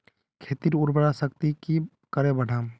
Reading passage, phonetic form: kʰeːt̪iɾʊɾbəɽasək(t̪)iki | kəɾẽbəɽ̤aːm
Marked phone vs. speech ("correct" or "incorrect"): correct